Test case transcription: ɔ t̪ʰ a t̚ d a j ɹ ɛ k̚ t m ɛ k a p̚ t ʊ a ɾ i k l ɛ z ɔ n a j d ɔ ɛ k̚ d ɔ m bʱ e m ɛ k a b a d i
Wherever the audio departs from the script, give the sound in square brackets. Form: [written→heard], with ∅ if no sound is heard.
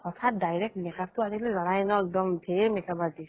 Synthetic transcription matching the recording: ɔ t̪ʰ a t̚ d a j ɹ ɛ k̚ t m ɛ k a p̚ t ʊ a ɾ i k l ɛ z ɔ n a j [d→n] ɔ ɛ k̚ d ɔ m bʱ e m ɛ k a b a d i